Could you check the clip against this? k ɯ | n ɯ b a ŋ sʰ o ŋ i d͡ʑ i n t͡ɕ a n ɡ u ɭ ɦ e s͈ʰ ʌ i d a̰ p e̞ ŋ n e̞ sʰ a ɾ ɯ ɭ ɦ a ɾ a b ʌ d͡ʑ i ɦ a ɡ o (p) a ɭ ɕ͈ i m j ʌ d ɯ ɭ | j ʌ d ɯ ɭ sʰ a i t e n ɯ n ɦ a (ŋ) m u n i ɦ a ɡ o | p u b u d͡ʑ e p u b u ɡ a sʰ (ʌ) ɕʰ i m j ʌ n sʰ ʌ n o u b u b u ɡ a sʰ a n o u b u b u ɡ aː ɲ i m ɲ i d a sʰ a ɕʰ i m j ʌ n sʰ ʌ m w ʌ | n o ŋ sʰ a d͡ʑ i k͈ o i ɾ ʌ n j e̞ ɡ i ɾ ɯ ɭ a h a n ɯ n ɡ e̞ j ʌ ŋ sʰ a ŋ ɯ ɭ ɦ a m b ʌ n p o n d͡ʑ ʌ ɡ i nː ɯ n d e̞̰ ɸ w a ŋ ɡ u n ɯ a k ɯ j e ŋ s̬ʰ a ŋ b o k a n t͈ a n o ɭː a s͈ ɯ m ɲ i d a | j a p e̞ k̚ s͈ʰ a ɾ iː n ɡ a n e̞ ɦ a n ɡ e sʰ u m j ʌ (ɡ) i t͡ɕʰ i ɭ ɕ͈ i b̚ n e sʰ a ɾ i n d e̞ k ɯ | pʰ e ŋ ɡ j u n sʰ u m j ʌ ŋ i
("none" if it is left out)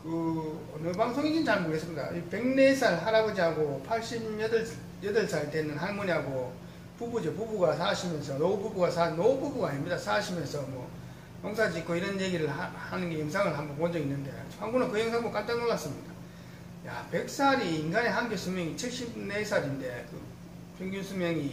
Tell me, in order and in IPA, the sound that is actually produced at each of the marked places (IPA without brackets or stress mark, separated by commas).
pʰ, n, a, ŋ